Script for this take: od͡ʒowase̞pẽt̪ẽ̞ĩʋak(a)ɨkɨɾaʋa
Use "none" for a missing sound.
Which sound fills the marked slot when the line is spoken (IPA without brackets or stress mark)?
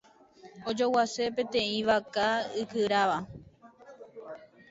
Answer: a